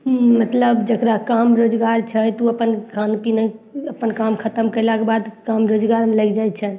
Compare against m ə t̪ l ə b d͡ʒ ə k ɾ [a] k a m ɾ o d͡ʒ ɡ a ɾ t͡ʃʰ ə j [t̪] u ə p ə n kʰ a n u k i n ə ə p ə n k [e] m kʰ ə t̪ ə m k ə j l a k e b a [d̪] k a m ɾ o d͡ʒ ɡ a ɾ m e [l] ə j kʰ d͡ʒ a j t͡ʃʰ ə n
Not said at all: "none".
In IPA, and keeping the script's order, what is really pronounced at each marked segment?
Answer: a, t̪, a, d̪, l

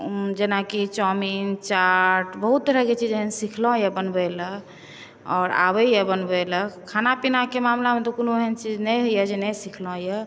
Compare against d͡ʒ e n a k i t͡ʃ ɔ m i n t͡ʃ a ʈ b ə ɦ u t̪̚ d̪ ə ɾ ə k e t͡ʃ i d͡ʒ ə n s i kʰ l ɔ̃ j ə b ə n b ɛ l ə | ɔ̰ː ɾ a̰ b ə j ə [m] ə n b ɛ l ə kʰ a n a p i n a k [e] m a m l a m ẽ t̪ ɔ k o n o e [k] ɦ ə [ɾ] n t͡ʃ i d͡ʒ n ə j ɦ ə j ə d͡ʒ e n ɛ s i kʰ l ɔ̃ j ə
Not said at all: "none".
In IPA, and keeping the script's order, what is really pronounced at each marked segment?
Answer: b, e, none, none

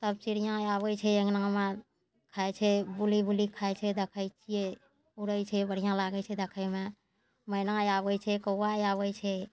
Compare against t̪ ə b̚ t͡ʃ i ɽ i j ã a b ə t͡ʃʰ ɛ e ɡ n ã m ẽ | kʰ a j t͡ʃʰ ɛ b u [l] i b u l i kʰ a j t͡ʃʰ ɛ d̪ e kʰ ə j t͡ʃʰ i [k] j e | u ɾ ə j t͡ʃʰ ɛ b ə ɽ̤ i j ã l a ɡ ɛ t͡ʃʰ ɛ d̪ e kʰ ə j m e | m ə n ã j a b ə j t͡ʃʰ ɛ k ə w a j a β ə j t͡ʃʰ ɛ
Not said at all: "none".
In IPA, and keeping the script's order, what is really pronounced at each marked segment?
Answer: l, none

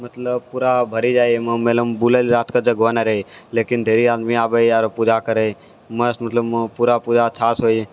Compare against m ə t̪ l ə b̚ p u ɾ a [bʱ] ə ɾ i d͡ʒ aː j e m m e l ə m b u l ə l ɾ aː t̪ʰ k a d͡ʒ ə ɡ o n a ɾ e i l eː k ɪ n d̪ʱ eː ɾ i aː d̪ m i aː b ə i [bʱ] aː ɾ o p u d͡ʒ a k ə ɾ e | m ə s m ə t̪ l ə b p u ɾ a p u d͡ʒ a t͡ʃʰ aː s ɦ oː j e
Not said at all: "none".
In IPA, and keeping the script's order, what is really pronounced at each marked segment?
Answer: bʱ, none

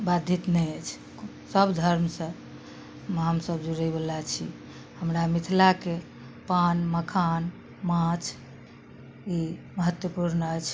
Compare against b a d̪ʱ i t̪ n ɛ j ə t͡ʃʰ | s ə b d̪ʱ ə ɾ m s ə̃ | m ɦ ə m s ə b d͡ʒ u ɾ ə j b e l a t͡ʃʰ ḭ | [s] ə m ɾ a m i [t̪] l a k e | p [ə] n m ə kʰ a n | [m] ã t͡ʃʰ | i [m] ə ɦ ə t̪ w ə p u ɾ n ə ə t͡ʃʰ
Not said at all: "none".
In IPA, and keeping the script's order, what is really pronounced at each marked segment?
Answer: h, t̪ʰ, a, m, m

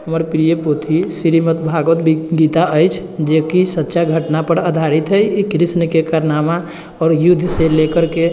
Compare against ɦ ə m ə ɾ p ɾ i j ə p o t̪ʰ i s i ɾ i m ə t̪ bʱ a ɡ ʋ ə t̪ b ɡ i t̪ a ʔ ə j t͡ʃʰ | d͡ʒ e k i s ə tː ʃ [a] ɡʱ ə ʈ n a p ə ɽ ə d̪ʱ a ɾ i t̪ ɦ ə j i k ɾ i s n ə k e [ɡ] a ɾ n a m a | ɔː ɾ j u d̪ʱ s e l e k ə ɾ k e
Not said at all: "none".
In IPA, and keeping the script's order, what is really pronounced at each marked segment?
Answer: a, k

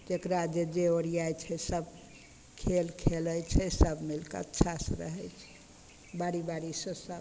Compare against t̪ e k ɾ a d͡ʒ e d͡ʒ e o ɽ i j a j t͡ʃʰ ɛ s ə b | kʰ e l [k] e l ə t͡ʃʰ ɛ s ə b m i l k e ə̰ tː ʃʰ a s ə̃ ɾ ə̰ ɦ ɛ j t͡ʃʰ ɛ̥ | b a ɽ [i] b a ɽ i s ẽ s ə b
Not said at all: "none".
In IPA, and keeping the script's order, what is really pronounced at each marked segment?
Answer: kʰ, i

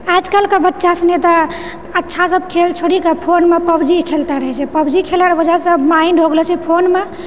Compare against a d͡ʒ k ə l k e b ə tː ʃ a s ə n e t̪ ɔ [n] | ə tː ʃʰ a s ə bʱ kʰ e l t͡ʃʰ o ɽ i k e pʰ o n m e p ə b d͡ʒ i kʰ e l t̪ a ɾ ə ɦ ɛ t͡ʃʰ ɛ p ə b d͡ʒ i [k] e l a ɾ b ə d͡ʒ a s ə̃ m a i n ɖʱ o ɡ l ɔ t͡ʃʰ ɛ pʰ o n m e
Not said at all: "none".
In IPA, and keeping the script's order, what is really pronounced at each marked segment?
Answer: none, kʰ

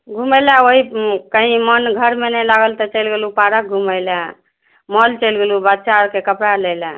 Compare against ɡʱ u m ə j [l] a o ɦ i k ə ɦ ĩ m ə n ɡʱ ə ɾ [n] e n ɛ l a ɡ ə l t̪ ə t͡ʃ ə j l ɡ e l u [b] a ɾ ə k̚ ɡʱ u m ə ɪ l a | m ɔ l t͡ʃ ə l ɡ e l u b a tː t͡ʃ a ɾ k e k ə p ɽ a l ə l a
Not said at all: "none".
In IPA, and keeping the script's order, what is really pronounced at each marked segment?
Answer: l, m, p

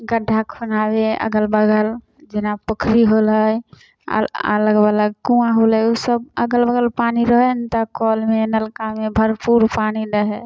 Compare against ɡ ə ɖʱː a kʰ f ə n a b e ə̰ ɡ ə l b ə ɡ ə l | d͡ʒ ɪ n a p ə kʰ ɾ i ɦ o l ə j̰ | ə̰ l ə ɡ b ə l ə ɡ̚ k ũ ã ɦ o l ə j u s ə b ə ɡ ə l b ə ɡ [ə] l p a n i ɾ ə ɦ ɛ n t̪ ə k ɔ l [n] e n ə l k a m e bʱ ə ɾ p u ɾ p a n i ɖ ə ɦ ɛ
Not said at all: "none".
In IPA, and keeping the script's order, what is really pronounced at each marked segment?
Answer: ə, m

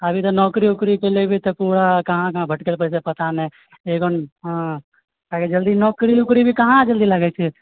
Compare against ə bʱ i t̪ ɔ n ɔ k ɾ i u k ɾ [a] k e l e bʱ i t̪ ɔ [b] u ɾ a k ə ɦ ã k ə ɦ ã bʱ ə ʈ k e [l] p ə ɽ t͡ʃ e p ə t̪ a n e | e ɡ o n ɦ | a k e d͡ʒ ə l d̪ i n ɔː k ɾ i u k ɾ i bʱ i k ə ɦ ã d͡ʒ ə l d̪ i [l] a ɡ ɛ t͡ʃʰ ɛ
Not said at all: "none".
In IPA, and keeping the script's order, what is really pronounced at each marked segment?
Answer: i, p, l, l

